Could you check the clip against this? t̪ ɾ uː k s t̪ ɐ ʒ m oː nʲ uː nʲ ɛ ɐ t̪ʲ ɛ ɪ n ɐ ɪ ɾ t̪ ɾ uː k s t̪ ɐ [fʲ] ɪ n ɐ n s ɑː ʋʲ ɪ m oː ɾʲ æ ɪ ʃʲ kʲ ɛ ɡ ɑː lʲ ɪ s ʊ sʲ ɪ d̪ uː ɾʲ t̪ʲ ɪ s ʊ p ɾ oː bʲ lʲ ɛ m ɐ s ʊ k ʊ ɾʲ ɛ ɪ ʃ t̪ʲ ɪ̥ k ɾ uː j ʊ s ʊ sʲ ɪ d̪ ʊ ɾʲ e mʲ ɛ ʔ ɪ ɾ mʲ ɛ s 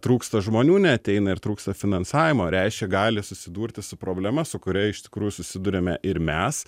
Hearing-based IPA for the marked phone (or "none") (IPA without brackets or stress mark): fʲ